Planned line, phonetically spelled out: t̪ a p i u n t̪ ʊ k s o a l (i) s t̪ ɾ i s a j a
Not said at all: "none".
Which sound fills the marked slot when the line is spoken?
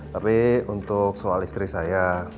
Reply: i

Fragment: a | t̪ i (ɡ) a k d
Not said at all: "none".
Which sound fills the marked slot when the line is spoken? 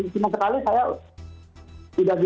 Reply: d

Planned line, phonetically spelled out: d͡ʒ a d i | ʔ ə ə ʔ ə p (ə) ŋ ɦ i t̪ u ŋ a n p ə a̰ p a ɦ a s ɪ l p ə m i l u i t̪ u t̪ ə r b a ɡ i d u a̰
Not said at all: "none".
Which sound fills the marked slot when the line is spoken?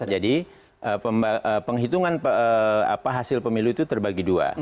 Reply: ə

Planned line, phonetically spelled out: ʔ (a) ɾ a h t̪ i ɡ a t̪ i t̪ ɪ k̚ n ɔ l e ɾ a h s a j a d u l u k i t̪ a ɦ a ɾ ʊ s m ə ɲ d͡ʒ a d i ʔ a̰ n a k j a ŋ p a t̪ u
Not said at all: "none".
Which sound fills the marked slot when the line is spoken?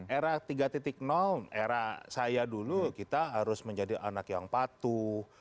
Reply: e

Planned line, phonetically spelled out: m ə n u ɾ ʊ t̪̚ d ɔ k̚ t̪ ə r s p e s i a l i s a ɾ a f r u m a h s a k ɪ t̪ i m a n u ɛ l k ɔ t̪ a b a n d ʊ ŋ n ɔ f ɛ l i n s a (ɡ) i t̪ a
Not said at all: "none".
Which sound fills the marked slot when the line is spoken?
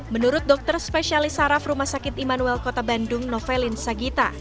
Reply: ɡ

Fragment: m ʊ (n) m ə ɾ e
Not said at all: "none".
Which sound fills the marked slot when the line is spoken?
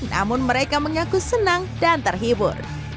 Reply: n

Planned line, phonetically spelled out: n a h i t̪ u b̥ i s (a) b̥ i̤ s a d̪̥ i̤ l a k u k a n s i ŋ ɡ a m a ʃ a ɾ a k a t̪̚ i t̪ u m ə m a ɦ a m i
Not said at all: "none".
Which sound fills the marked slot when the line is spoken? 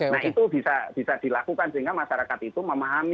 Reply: a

